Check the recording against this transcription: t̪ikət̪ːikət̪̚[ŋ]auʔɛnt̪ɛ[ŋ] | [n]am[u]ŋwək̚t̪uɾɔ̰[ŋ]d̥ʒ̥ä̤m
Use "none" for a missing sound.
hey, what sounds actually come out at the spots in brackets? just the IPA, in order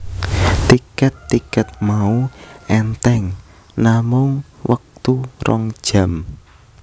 m, ŋ, n, ʊ, ŋ

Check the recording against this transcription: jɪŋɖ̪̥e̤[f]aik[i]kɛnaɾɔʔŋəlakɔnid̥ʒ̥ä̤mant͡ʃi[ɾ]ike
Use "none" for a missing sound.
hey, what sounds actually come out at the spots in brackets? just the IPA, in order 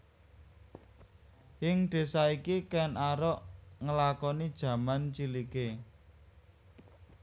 s, i, l

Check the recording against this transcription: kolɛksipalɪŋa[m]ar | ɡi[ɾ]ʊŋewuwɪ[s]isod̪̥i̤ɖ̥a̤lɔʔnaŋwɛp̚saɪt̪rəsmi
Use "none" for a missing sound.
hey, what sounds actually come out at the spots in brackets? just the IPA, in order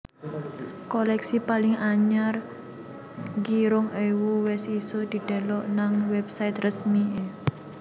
ɲ, ɾ, s

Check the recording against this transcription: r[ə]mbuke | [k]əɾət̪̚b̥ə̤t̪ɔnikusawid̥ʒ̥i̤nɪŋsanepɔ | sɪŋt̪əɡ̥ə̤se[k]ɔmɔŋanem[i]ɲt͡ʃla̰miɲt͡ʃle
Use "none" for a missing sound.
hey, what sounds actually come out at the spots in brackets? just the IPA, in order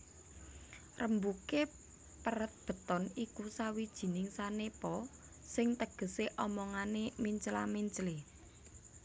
ə, p, ʔ, i

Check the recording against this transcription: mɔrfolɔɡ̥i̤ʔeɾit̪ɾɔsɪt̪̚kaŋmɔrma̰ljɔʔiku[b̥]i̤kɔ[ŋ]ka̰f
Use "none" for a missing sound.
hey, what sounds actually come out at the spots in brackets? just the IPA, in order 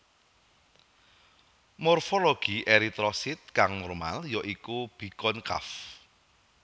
b̥, n

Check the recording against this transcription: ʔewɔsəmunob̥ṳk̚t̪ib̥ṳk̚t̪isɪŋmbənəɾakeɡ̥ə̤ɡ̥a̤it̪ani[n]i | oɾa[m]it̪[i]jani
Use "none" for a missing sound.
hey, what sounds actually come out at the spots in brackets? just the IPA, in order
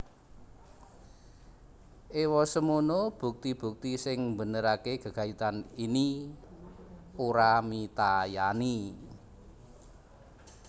n, m, a

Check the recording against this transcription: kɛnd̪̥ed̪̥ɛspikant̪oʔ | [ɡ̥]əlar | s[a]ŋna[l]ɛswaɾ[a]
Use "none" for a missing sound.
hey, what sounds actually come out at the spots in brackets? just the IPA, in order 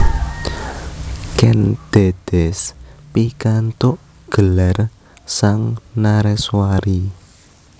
ɡ̥, a, ɾ, i

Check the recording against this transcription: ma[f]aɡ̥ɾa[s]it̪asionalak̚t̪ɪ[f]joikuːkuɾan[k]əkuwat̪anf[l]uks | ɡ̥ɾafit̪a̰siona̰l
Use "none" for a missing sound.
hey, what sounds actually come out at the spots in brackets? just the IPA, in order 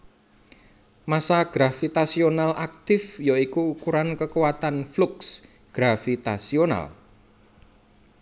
s, f, f, k, l

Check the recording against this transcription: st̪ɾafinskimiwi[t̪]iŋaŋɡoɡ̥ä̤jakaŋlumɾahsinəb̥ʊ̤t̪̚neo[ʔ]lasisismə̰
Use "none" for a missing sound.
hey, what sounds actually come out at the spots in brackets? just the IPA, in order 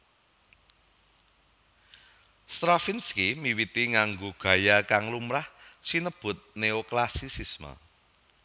t̪, k

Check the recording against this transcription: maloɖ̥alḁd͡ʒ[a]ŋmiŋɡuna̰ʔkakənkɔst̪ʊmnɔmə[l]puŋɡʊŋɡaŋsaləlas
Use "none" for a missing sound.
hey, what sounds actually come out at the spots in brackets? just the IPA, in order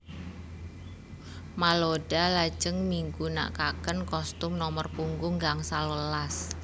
ə, r

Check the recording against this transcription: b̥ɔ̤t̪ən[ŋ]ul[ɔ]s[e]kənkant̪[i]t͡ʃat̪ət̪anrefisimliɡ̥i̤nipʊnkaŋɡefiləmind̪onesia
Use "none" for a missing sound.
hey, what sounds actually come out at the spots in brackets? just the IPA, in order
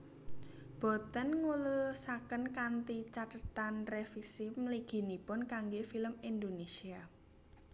ŋ, u, a, i

